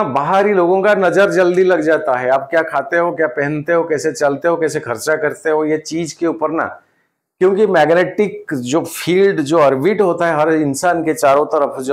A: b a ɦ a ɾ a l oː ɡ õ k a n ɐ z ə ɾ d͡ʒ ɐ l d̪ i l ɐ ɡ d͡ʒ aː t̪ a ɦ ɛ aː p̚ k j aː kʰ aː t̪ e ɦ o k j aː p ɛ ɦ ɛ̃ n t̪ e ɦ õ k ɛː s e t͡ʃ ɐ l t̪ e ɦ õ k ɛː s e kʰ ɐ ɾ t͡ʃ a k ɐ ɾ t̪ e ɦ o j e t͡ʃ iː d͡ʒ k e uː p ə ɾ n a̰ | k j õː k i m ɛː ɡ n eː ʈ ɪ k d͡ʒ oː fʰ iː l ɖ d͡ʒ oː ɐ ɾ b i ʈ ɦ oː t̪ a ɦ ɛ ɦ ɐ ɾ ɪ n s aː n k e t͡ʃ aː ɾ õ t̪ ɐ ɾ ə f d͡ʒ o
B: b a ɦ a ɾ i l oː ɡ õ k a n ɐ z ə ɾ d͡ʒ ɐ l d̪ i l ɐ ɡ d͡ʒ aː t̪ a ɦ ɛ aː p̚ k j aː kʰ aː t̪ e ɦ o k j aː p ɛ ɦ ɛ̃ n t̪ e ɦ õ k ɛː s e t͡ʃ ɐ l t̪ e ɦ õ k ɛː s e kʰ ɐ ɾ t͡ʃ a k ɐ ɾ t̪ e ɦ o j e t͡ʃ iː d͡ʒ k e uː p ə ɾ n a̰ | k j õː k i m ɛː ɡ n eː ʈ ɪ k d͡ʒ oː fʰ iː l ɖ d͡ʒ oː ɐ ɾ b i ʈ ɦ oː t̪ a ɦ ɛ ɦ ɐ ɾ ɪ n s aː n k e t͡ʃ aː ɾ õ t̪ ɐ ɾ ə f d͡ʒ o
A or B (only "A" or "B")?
B